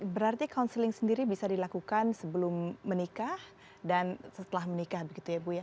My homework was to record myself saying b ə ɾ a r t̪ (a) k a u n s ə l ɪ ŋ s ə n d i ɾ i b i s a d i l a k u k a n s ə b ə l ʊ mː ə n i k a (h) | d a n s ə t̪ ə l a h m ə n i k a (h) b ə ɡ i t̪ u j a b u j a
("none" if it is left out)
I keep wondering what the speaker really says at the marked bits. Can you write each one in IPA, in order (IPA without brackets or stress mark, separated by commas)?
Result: i, h, h